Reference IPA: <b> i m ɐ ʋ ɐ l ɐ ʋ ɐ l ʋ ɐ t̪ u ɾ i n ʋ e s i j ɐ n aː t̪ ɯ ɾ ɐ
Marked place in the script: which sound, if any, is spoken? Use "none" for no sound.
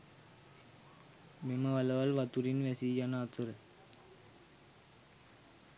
m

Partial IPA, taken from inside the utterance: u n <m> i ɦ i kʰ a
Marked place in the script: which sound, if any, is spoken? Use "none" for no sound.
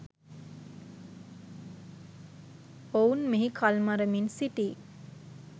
m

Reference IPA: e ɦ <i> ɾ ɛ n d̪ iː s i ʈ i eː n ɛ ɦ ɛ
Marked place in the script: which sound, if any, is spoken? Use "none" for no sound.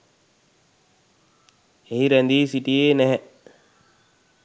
i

